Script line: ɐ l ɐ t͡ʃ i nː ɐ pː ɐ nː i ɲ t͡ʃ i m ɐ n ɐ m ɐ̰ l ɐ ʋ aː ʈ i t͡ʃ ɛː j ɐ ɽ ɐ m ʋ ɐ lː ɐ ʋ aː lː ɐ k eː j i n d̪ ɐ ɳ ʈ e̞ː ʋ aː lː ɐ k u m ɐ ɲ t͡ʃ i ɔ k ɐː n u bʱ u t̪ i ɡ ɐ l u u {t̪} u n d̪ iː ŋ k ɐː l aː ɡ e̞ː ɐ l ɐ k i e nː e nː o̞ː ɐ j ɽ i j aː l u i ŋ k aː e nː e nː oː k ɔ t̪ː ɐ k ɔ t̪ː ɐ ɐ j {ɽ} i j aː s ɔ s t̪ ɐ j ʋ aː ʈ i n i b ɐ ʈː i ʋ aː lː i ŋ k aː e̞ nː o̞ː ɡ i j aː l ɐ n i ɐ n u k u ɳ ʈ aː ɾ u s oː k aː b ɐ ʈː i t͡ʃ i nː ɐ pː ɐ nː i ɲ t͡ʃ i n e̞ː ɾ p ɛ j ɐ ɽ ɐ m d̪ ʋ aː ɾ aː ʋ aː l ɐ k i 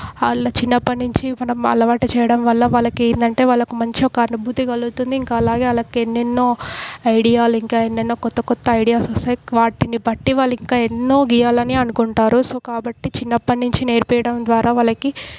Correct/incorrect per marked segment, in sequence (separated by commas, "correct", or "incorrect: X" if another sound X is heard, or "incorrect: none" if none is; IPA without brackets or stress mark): correct, correct